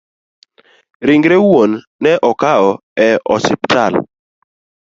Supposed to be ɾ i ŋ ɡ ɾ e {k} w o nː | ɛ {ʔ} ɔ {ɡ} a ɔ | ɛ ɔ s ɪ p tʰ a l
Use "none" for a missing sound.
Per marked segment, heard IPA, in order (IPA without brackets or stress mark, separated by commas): none, ʔ, k